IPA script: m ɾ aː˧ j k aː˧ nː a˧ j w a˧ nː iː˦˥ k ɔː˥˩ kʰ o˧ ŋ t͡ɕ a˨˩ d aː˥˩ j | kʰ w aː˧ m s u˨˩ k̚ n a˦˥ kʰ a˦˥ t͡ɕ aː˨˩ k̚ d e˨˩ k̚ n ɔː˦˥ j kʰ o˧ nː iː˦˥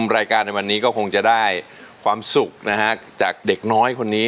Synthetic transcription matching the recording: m ɾ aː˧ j k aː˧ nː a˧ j w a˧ nː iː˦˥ k ɔː˥˩ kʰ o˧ ŋ t͡ɕ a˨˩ d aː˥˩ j | kʰ w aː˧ m s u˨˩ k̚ n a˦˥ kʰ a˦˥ t͡ɕ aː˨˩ k̚ d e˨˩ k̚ n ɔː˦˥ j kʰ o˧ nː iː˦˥